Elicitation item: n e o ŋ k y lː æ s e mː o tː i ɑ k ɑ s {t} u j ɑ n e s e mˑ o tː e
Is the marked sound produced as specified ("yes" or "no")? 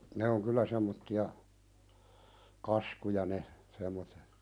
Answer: no